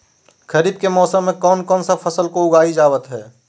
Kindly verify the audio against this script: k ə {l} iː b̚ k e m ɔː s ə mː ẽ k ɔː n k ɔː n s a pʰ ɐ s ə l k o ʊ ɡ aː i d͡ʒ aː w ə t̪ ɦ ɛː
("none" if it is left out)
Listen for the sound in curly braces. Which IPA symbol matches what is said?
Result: ɾ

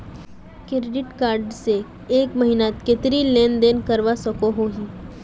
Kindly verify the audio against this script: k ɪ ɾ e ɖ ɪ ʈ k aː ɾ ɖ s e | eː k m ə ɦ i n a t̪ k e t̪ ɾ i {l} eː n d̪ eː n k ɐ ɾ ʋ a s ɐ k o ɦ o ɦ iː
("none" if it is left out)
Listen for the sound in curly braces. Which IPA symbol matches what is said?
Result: l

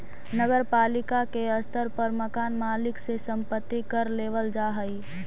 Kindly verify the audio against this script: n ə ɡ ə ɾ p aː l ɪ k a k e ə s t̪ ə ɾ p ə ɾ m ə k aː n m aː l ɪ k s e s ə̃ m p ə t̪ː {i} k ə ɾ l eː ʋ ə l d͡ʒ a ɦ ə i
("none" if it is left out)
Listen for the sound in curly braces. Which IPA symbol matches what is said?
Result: i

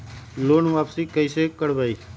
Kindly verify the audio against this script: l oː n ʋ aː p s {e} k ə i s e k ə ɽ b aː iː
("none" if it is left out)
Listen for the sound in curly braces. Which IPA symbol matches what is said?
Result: i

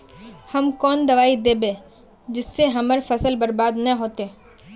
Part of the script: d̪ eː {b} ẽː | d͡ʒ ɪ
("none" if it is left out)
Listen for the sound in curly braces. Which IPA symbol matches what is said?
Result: b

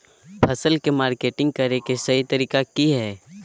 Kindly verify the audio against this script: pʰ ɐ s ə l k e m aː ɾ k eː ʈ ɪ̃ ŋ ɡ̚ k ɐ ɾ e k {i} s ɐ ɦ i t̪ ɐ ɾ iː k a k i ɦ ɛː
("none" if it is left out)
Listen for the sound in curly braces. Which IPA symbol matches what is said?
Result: e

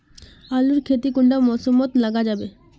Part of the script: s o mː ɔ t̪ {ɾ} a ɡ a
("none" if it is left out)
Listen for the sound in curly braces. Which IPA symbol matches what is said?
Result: l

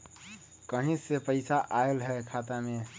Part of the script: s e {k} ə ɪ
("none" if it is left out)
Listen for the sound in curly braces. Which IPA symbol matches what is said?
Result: p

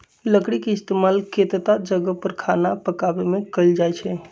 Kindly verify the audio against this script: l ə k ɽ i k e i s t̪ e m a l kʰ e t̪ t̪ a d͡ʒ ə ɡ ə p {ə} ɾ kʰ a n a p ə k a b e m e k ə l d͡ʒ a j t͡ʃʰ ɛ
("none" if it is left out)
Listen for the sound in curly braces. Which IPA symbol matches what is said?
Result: ə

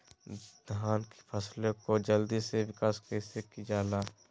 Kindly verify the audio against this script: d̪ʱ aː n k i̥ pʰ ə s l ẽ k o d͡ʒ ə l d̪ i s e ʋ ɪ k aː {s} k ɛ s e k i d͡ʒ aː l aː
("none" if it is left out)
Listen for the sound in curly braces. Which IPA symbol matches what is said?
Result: s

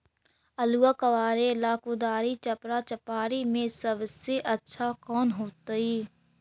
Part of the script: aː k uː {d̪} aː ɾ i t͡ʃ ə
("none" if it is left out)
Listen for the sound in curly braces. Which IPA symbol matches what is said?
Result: d̪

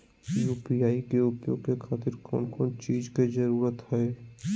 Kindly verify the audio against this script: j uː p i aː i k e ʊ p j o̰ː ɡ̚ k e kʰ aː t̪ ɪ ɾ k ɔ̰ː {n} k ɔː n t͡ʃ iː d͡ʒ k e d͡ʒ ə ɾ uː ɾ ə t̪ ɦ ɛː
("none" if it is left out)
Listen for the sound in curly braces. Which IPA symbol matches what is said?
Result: n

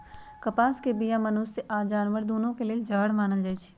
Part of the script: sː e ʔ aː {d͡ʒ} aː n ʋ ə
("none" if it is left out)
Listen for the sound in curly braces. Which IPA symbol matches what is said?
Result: d͡ʒ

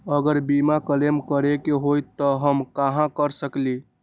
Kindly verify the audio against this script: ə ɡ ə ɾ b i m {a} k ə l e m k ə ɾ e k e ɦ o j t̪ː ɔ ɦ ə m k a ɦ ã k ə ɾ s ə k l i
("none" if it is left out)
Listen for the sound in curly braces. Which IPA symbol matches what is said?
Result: a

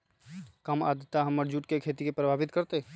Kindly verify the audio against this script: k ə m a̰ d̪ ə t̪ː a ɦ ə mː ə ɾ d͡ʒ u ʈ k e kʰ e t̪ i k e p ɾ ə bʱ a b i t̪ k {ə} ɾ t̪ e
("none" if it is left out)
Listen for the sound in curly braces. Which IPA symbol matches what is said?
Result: ə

